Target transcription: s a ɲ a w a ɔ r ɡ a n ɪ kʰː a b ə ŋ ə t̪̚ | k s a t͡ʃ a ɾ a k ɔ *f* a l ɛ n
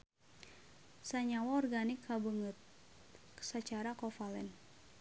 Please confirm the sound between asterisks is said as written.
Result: yes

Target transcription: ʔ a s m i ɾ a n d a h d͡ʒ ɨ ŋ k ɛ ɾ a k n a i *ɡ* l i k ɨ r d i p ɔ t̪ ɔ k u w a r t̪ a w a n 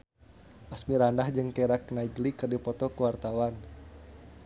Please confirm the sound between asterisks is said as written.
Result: yes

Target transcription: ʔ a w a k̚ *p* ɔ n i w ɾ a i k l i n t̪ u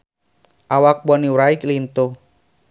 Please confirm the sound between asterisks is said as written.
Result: no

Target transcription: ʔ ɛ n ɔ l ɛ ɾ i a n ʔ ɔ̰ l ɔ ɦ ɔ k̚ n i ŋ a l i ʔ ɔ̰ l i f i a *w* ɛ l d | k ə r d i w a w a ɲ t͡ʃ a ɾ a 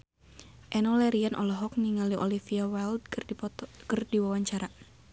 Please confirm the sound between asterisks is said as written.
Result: yes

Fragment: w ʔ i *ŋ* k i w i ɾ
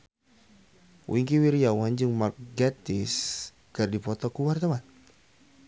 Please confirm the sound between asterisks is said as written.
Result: yes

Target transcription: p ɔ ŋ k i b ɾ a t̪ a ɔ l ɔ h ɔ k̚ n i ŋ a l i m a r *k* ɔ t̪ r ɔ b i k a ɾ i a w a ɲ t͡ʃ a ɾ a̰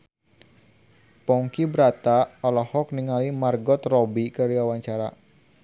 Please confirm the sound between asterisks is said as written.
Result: no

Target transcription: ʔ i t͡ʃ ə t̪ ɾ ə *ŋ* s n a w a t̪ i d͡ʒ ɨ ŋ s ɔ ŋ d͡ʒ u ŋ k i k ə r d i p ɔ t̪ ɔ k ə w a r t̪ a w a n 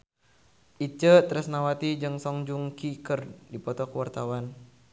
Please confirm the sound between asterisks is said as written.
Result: no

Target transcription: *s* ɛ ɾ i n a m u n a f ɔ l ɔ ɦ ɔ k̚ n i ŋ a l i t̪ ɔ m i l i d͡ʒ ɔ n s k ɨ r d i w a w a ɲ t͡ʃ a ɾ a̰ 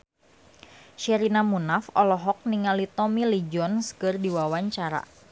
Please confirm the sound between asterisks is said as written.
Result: no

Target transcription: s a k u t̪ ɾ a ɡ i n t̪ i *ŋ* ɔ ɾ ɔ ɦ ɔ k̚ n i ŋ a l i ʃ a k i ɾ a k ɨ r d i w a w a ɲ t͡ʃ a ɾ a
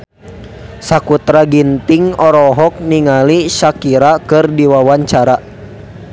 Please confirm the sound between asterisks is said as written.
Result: yes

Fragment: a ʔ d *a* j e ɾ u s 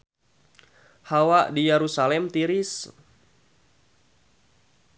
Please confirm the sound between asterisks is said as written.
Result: no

